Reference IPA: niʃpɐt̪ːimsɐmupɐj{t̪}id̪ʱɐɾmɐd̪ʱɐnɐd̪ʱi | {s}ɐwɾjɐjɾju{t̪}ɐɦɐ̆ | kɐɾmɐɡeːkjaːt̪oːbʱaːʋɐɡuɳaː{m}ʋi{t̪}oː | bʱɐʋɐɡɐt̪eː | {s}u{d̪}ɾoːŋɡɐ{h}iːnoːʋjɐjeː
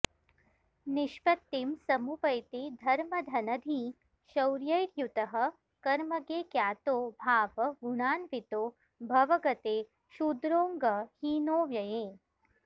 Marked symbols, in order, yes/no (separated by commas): yes, no, yes, no, yes, no, yes, yes